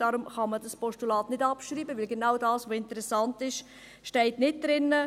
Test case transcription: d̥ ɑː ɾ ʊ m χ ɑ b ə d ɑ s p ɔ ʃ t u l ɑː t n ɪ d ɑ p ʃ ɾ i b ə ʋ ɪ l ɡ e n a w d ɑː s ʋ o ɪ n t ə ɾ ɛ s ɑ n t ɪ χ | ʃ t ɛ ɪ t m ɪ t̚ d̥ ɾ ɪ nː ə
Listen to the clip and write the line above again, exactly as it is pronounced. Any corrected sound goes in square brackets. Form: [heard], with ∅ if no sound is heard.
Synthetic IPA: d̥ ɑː ɾ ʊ m χ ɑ [m] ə d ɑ s p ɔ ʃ t u l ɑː t n ɪ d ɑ p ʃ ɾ [iː] b ə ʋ ɪ l ɡ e n a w d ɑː s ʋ o ɪ n t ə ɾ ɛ s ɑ n t ɪ [ʃ] | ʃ t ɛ ɪ t [n] ɪ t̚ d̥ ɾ ɪ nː ə